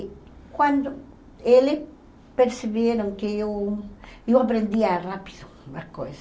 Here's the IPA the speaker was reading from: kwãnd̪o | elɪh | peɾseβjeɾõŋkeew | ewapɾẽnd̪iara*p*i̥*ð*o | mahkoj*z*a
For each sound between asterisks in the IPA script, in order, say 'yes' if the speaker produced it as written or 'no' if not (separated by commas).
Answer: yes, yes, no